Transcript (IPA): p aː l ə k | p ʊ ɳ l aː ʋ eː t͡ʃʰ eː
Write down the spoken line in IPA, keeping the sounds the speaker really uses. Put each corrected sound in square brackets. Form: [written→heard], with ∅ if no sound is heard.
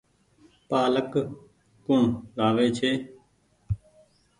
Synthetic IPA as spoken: p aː l ə k | [p→k] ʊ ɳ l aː ʋ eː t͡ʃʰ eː